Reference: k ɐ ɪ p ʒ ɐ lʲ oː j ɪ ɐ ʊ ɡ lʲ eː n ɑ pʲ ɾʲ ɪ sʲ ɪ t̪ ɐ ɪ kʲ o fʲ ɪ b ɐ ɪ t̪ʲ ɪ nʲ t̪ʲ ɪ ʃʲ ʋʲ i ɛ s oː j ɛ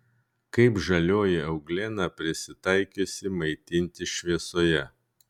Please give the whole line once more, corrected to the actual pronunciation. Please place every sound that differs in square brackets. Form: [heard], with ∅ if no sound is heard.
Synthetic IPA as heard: k ɐ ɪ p ʒ ɐ lʲ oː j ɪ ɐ ʊ ɡ lʲ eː n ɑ pʲ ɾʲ ɪ sʲ ɪ t̪ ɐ ɪ kʲ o [sʲ] ɪ [m] ɐ ɪ t̪ʲ ɪ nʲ t̪ʲ ɪ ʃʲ ʋʲ i ɛ s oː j ɛ